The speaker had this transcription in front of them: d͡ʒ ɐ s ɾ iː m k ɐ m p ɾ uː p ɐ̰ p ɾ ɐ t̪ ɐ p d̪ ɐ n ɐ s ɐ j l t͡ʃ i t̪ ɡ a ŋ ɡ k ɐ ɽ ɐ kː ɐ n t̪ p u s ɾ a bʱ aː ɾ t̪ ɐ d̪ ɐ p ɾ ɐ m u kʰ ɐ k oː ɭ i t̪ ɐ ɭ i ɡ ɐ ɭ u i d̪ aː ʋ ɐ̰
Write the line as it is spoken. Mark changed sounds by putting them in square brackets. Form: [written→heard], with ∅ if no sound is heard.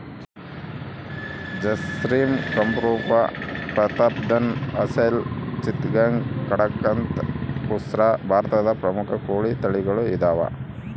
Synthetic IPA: d͡ʒ ɐ s ɾ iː m k ɐ m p ɾ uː p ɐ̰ p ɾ ɐ t̪ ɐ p d̪ ɐ n ɐ s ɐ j l t͡ʃ i t̪ ɡ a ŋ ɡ k ɐ ɽ ɐ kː ɐ n t̪ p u s ɾ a bʱ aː ɾ t̪ ɐ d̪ ɐ p ɾ ɐ m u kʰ ɐ k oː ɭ i t̪ ɐ ɭ i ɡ ɐ ɭ u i d̪ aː ʋ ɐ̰